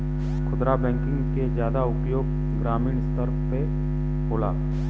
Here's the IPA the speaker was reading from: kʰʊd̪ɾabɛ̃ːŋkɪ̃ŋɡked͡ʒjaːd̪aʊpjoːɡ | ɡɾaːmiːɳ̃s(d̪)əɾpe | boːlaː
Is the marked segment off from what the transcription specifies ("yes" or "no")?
yes